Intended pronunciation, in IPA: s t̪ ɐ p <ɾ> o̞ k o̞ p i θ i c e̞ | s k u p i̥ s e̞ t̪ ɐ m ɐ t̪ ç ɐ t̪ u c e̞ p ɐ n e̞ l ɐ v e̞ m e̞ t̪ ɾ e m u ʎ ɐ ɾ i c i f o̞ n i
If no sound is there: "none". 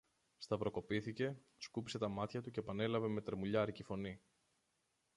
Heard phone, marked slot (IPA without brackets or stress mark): ɾ